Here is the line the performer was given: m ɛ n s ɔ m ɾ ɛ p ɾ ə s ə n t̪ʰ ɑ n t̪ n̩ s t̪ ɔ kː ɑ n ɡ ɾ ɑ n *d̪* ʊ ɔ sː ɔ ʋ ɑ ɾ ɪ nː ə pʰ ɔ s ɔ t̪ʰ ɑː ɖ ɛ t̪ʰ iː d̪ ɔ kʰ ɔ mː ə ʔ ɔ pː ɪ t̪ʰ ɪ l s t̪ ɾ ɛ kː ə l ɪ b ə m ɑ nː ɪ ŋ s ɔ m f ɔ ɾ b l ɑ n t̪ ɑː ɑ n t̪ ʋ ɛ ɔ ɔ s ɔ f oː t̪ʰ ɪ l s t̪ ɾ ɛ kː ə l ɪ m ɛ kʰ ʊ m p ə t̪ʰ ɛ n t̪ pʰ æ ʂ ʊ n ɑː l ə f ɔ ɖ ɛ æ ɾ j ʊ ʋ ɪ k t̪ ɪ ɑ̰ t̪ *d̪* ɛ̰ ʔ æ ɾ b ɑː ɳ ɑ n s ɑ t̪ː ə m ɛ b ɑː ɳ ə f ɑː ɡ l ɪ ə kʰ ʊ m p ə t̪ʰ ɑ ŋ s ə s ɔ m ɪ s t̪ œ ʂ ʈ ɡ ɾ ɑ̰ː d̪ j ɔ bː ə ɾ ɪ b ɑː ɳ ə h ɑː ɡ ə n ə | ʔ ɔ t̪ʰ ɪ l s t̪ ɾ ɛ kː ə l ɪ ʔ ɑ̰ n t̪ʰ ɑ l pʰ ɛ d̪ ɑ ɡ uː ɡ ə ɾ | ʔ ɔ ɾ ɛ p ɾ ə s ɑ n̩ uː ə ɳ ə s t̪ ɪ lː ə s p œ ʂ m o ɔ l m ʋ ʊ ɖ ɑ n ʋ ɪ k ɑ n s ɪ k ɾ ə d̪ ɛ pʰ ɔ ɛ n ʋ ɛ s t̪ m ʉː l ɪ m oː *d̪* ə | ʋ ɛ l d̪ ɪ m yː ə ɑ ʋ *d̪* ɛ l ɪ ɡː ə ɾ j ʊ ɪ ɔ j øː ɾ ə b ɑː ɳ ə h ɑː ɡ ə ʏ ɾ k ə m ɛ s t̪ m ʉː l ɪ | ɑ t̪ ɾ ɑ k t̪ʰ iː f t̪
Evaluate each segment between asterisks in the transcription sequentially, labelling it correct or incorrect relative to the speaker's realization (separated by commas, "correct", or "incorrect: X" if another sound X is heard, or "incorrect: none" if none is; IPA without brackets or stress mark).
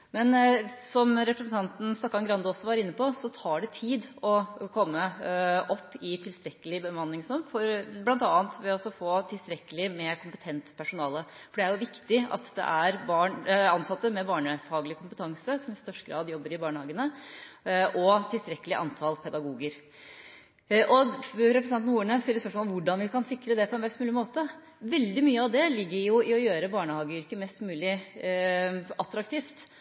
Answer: correct, correct, incorrect: t̪, correct